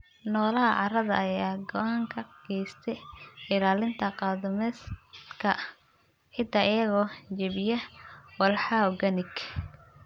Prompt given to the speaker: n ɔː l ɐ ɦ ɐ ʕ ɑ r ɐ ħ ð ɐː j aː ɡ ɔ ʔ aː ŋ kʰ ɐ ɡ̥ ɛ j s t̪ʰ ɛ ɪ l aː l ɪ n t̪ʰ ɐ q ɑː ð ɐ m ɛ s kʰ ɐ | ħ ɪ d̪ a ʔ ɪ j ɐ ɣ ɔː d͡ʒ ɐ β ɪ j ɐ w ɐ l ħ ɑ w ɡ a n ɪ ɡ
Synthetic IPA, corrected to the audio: n ɔː l ɐ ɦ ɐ ʕ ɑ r ɐ ð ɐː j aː ɡ ɔ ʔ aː ŋ kʰ ɐ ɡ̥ ɛ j s t̪ʰ ɛ ɪ l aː l ɪ n t̪ʰ ɐ q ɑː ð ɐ m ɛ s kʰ ɐ | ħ ɪ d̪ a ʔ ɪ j ɐ ɣ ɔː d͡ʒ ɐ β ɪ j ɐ w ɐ l ħ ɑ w ɡ ɐ n ɪ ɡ